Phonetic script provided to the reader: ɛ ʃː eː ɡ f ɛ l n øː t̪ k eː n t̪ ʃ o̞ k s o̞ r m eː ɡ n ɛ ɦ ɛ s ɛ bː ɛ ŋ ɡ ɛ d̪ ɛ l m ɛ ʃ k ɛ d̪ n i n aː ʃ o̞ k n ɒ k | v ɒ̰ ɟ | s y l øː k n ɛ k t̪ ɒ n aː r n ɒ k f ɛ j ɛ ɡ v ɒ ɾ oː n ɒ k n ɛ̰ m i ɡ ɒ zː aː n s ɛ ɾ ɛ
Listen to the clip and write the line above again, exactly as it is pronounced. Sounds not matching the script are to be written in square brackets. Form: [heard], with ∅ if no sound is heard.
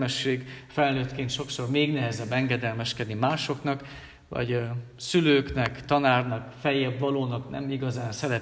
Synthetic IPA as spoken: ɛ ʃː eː ɡ f ɛ l n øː t̪ k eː n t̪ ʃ o̞ k s o̞ r m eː ɡ n ɛ ɦ ɛ [z] ɛ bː ɛ ŋ ɡ ɛ d̪ ɛ l m ɛ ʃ k ɛ d̪ n i [m] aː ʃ o̞ k n ɒ k | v ɒ̰ ɟ | s y l øː k n ɛ k t̪ ɒ n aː r n ɒ k f ɛ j ɛ [b] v ɒ [l] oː n ɒ k n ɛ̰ m i ɡ ɒ [z] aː n s ɛ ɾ ɛ